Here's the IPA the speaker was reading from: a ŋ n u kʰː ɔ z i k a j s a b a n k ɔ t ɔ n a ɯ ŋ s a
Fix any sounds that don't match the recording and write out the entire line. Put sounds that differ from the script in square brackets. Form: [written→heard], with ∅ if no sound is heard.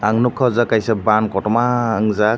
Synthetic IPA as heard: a ŋ n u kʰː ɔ z [i→a] k a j s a b a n k ɔ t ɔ [n→m] a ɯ ŋ [s→z] a